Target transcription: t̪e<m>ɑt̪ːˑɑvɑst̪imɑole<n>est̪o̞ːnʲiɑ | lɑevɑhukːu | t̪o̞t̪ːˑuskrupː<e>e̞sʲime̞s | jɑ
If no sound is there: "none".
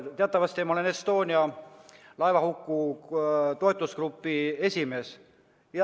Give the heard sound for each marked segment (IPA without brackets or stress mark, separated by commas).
none, n, i